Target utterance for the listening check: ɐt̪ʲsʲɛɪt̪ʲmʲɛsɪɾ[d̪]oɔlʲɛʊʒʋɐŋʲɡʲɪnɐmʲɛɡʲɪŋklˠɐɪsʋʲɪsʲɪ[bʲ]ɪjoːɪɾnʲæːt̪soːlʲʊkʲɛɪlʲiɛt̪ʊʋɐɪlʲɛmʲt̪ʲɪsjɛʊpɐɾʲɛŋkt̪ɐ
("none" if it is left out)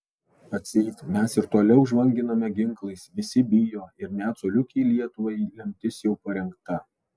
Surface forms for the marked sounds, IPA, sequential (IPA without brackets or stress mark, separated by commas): t̪, bʲ